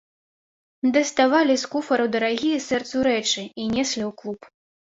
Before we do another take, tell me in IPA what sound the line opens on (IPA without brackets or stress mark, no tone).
d̪